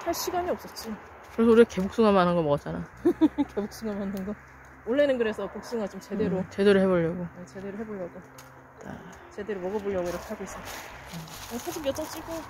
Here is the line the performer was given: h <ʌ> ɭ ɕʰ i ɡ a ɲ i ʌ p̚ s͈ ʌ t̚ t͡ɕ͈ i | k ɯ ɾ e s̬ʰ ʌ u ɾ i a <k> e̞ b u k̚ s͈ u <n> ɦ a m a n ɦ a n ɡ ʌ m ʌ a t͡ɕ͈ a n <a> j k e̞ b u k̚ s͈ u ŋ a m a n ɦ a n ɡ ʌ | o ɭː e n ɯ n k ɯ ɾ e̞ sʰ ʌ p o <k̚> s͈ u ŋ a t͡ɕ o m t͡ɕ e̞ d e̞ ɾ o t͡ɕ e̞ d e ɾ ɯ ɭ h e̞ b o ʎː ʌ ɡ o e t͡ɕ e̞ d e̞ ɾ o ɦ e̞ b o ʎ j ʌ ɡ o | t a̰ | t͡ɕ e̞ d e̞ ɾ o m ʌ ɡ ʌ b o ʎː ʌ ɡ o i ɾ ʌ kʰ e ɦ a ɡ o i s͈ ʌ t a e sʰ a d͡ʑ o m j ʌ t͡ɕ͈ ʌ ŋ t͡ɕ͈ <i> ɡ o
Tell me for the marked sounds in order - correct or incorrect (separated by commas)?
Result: incorrect, correct, incorrect, correct, correct, correct